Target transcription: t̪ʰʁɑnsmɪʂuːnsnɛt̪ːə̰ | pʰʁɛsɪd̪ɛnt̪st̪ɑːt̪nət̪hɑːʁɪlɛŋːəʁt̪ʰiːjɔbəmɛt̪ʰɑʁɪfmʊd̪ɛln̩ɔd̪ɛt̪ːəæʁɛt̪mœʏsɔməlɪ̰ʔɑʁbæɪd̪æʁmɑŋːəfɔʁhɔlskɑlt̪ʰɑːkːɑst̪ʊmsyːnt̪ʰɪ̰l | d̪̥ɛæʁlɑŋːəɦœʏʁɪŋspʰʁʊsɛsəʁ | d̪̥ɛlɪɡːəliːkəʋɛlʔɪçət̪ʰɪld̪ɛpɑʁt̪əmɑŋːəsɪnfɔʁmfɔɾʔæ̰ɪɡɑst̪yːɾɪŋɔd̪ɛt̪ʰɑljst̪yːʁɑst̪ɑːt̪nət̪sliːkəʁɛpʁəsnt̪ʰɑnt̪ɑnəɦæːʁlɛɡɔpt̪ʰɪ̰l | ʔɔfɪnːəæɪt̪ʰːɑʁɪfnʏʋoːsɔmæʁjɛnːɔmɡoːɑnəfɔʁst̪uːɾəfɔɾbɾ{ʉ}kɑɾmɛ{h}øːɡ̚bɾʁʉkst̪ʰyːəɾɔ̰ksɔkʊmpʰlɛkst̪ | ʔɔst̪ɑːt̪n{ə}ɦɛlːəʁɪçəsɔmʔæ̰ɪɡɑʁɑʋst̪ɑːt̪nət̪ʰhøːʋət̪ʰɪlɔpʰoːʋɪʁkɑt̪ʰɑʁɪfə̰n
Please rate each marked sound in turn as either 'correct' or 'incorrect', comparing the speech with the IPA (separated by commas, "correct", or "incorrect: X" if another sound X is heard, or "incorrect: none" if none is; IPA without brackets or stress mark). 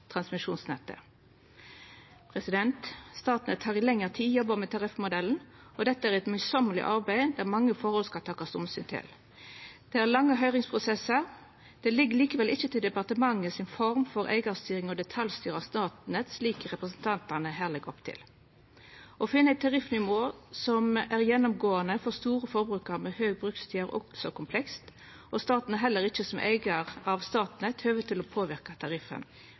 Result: incorrect: ʉː, correct, correct